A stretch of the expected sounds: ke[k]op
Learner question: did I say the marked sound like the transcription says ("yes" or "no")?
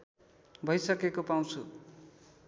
yes